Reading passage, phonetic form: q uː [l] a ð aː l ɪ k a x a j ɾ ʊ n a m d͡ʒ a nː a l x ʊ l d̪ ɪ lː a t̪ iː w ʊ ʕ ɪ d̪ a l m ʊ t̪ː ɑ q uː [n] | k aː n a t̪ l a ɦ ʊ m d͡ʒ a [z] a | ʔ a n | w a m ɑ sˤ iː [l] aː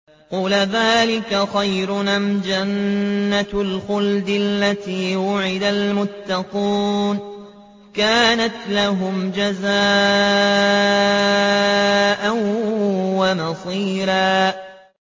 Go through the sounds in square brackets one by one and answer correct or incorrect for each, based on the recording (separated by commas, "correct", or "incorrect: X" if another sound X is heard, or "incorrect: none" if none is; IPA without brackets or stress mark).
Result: correct, correct, correct, incorrect: ɾ